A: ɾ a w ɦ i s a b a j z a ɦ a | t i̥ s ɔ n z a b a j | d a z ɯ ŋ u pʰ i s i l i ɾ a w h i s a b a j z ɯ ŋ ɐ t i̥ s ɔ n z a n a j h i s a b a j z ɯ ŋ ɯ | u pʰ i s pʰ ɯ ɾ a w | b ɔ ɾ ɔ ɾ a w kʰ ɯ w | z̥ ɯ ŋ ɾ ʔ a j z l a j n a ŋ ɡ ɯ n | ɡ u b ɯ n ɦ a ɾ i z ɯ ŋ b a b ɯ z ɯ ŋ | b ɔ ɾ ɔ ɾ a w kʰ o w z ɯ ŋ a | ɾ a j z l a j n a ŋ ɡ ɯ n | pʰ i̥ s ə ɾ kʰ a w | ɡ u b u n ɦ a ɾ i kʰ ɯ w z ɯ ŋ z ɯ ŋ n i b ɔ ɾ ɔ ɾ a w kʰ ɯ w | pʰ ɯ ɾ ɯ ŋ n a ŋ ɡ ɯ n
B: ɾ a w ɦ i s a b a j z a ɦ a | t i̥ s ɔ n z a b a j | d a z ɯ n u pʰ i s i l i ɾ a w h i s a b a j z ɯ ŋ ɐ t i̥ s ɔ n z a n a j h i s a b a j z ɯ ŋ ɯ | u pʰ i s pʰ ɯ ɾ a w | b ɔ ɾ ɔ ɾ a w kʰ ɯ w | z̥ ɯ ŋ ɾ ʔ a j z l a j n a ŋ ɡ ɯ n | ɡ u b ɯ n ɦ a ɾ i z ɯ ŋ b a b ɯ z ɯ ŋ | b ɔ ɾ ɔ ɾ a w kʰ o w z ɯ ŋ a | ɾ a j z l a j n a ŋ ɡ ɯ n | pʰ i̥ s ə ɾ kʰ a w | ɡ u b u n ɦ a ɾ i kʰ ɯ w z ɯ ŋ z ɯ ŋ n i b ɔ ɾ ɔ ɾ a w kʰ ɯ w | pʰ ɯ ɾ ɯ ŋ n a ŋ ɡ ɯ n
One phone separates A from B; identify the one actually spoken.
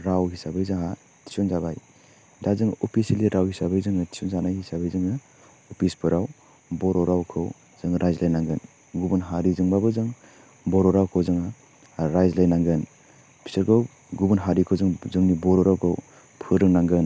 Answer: A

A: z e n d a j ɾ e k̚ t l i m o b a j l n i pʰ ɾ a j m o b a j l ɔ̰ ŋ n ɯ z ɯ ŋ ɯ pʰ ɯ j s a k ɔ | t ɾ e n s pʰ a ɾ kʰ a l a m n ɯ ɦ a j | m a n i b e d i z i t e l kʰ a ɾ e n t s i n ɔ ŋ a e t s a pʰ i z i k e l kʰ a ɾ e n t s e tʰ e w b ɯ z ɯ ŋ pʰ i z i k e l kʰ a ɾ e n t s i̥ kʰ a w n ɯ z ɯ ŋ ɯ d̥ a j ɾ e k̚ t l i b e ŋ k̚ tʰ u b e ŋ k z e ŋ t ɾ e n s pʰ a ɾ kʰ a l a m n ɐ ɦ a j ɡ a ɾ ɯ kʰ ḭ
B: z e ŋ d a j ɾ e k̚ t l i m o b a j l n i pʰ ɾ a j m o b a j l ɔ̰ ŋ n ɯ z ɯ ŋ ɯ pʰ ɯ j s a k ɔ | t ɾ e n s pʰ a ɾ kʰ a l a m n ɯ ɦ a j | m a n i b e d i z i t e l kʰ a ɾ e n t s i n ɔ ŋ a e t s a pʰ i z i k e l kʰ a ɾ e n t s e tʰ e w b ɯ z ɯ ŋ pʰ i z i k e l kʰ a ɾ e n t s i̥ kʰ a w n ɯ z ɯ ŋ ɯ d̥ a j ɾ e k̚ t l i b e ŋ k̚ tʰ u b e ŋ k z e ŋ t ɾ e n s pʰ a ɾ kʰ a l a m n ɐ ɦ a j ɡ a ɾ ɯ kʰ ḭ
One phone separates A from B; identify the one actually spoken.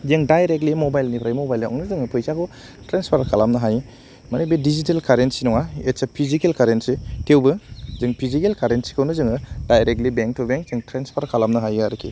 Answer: B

